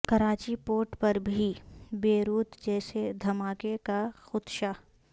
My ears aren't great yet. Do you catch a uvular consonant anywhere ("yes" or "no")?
no